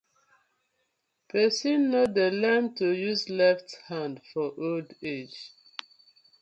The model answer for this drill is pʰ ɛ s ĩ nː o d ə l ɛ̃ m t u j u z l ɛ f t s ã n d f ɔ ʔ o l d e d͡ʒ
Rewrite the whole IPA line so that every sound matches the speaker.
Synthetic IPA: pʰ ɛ s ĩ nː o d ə l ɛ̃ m t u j u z l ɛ f t h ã n d f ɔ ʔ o l d e d͡ʒ